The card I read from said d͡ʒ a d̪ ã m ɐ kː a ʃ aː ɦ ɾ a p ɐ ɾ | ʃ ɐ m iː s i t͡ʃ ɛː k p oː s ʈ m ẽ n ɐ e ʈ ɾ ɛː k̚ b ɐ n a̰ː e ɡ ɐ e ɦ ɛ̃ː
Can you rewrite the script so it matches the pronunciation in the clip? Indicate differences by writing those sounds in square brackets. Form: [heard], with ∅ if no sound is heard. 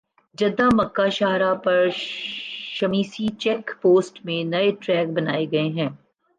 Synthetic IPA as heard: d͡ʒ [ɐ] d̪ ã m ɐ kː a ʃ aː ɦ ɾ a p ɐ ɾ | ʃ ɐ m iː s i t͡ʃ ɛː k p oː s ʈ m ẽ n ɐ e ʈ ɾ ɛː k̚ b ɐ n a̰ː e ɡ ɐ e ɦ ɛ̃ː